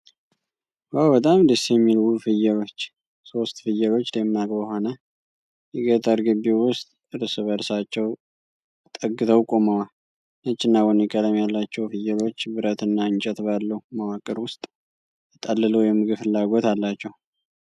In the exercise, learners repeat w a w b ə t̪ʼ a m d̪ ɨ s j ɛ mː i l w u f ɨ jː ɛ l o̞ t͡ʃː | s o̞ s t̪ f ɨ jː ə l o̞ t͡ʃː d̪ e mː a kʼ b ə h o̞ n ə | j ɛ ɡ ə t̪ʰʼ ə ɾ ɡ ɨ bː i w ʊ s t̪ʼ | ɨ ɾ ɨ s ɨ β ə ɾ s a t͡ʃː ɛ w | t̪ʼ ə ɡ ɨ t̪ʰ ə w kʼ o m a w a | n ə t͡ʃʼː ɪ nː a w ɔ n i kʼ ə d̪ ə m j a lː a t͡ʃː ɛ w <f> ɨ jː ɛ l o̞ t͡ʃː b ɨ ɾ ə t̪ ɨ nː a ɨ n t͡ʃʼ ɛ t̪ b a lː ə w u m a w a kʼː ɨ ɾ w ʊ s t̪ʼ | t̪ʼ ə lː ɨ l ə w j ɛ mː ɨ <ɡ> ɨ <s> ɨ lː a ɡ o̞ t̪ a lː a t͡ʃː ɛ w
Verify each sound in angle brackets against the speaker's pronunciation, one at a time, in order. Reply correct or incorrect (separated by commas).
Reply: correct, correct, incorrect